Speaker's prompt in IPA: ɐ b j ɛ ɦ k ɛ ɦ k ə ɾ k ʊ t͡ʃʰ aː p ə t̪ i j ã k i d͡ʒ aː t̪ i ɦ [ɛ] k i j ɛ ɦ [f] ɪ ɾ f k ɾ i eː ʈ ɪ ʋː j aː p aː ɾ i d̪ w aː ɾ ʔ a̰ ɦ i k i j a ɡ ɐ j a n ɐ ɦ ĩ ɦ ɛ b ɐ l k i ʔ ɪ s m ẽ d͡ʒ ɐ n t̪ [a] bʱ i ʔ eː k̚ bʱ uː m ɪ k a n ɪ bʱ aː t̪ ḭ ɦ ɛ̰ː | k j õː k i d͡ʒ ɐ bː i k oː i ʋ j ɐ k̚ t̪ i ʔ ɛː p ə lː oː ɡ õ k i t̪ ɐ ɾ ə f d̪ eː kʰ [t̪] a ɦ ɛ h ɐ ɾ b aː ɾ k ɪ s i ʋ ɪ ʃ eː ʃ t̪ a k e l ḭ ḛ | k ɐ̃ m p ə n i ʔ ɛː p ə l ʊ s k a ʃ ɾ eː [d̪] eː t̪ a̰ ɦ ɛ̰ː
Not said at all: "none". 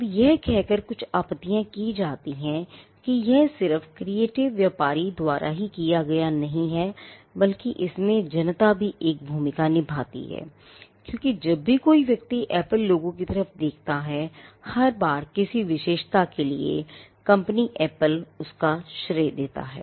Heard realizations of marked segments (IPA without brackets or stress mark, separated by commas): ɛ̃, s, a, t̪, d̪